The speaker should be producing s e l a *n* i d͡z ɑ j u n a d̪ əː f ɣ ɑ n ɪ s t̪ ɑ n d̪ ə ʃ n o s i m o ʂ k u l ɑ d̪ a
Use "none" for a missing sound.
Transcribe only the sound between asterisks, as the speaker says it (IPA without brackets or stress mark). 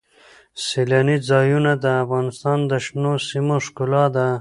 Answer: n